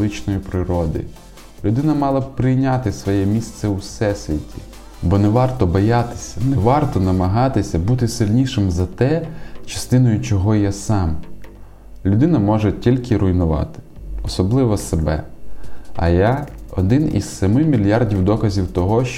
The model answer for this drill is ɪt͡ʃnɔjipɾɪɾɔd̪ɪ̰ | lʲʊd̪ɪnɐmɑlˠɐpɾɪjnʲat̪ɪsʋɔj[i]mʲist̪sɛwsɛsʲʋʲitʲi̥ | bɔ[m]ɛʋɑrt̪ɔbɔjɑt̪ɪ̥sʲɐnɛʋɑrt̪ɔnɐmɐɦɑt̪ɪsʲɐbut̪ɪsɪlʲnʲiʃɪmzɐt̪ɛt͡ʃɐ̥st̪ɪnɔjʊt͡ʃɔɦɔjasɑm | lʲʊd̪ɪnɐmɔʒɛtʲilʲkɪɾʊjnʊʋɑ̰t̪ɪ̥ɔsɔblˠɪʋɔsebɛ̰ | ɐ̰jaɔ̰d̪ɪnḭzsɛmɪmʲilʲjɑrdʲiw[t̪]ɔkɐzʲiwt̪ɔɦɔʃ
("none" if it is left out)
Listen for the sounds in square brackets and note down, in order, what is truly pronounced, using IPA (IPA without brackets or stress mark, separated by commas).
ɛ, n, d̪